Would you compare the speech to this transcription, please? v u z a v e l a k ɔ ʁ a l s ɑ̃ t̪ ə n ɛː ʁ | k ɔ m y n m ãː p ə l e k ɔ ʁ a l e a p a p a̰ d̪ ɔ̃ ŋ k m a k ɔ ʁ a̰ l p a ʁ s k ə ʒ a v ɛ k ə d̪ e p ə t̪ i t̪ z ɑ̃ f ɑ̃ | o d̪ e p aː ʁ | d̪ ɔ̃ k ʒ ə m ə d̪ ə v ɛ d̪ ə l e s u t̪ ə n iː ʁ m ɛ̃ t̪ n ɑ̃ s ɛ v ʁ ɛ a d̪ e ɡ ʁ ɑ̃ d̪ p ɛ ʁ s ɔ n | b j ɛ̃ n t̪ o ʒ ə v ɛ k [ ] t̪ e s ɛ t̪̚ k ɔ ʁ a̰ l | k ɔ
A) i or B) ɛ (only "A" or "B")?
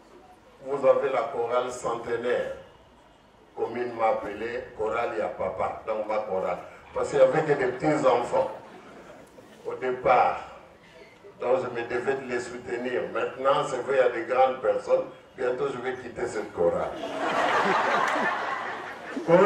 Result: A